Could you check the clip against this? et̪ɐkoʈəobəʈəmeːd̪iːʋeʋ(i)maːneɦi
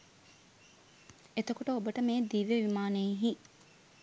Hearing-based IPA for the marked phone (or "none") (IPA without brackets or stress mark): i